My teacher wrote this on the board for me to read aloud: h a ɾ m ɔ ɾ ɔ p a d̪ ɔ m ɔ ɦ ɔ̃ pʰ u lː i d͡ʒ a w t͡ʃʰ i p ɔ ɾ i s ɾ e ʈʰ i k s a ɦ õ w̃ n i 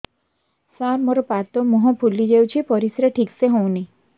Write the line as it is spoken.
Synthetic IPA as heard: s a ɾ m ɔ ɾ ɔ p a t̪ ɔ m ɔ ɦ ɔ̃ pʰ u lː i d͡ʒ e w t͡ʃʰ i p ɔ ɾ i s ɾ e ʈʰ i k s e ɦ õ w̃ n i